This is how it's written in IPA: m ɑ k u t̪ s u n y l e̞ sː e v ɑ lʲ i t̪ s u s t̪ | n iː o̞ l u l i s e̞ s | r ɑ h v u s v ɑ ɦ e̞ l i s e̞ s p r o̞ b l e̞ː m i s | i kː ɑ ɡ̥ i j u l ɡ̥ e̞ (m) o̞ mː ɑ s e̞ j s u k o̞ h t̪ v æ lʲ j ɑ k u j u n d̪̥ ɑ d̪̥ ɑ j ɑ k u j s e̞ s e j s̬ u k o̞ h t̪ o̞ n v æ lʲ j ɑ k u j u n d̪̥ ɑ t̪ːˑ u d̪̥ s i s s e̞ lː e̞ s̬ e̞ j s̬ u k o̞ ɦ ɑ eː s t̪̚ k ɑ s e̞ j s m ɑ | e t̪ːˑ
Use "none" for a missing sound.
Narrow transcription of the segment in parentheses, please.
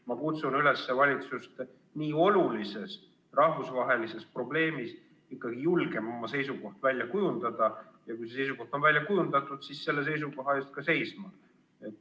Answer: m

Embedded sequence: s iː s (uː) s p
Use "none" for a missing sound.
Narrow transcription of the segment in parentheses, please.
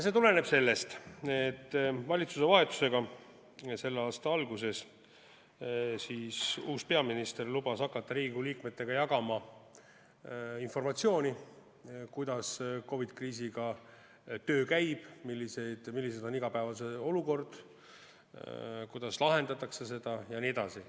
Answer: uː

